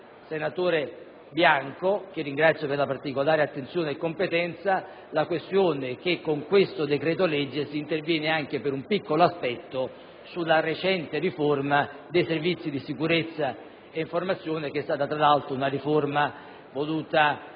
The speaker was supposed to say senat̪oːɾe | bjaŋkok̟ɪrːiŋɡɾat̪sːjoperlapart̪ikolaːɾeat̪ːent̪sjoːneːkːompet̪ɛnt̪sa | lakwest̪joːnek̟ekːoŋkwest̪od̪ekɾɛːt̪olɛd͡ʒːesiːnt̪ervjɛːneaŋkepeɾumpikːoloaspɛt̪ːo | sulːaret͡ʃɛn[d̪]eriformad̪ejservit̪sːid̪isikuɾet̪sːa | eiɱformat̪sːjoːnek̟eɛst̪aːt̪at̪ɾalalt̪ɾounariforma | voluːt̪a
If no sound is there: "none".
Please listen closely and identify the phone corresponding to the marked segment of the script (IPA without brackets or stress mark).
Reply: t̪